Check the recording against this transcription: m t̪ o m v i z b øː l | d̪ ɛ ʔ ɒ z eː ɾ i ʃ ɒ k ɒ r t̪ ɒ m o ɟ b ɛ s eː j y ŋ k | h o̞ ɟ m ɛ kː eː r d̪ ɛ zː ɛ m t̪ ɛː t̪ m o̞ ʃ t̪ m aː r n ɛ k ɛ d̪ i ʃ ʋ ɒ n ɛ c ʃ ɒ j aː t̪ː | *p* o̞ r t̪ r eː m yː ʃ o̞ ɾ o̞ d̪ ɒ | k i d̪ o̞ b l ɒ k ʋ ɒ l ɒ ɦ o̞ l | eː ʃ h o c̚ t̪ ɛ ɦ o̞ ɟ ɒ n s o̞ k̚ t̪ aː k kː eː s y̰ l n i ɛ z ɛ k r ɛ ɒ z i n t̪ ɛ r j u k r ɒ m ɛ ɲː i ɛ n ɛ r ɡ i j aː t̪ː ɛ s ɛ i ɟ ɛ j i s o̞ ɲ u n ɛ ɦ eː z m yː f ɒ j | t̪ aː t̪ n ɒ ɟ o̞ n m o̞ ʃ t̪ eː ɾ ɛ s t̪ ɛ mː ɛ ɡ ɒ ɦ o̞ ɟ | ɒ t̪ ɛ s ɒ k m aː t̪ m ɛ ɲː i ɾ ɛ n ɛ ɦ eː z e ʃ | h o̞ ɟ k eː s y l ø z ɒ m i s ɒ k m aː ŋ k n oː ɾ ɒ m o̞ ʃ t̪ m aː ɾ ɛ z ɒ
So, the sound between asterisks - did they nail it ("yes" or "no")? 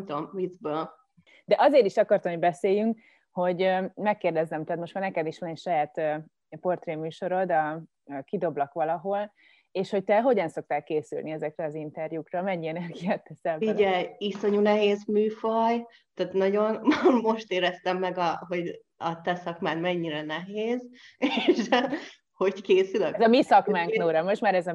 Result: yes